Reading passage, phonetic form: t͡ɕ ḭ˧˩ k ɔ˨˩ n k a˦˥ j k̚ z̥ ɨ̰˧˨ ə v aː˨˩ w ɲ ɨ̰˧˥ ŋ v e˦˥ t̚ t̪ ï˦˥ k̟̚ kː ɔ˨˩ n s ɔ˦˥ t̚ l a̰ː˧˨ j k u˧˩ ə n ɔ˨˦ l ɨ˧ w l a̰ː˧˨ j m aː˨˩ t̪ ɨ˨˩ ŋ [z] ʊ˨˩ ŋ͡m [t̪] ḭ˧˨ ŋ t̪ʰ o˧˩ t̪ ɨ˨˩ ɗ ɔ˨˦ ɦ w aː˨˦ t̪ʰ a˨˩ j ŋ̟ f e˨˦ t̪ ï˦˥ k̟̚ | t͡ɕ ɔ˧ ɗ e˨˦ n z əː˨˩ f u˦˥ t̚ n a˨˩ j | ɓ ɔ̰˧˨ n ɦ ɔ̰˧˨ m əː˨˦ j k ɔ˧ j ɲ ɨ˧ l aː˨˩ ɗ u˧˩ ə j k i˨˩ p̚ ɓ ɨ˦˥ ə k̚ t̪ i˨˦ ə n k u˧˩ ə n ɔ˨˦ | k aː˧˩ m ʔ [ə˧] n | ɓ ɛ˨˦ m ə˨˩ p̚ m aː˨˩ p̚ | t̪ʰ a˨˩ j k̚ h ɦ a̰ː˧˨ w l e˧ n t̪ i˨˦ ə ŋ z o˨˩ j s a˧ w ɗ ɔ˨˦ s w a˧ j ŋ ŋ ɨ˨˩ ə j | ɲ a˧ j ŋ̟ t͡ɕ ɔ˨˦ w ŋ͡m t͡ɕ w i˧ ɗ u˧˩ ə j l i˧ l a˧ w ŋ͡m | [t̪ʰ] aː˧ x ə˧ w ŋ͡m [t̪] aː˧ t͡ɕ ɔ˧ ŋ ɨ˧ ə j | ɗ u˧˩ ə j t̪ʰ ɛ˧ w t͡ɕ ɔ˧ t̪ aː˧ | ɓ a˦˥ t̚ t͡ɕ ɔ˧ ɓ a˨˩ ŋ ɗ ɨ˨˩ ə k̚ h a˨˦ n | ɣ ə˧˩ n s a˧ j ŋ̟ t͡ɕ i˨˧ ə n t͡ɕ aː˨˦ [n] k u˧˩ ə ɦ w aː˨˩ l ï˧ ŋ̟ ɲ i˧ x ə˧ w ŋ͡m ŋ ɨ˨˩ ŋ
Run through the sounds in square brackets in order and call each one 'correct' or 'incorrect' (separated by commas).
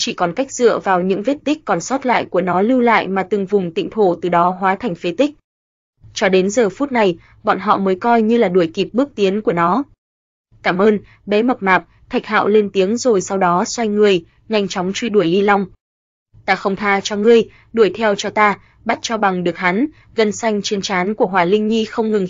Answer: incorrect, correct, incorrect, incorrect, incorrect, correct